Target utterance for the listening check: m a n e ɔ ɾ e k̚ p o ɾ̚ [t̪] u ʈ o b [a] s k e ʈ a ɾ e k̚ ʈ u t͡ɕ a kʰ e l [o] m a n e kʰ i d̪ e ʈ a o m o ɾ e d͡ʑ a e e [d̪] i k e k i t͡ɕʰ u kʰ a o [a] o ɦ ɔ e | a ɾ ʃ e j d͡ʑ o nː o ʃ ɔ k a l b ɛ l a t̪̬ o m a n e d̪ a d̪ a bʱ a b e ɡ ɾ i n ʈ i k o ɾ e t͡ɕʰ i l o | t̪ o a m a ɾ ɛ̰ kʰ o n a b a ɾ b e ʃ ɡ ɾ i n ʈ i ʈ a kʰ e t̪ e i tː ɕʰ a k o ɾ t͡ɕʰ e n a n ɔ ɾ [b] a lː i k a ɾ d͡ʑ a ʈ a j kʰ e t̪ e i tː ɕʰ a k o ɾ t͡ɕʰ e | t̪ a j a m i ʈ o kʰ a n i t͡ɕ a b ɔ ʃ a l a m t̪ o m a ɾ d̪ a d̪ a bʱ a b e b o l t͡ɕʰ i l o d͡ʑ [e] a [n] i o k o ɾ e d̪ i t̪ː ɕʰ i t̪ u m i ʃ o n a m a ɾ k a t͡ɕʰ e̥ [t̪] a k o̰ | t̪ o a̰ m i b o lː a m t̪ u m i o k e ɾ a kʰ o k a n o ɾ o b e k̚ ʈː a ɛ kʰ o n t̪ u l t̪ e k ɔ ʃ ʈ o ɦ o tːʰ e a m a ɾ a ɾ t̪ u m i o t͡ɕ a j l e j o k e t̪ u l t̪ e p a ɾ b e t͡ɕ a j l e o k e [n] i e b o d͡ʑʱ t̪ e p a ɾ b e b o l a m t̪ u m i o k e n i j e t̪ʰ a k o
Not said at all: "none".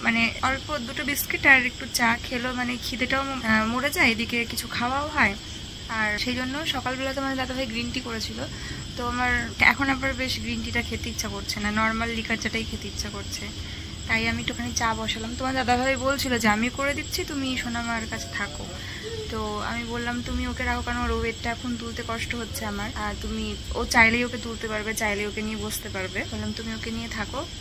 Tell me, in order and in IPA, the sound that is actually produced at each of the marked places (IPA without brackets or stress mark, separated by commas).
d̪, i, o, d̪, a, m, e, m, t̪ʰ, n